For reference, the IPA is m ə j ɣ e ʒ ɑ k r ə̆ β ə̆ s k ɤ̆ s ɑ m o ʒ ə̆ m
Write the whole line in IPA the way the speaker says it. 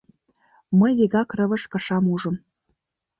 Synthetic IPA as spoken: m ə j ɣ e ɣ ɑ k r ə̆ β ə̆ ʃ k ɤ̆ ʃ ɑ m u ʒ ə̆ m